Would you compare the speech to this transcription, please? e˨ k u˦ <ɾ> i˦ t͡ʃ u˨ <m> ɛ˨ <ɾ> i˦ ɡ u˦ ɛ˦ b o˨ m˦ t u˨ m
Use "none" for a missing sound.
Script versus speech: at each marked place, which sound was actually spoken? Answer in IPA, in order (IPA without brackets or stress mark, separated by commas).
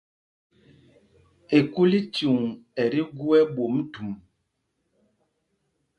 l, ŋ, ɾ